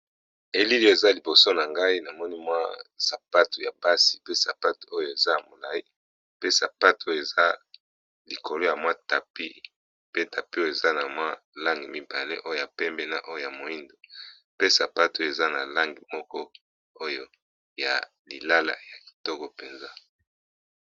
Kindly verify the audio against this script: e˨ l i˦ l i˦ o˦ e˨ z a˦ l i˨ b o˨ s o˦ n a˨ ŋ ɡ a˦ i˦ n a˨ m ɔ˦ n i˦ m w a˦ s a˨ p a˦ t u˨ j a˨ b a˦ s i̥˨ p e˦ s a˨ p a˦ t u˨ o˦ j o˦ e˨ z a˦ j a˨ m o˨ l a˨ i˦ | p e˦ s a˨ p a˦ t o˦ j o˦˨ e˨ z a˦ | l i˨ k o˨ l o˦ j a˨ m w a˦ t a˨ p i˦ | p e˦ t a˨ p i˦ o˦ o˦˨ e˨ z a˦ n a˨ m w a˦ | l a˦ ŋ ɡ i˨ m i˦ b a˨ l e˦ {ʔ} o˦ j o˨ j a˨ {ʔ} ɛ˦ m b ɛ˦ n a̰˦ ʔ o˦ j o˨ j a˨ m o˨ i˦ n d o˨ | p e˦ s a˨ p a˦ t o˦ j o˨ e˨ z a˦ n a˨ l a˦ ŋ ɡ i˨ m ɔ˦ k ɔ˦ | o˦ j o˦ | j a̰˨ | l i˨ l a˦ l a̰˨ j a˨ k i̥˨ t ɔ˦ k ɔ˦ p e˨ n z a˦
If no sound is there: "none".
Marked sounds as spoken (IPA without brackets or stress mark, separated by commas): ʔ, p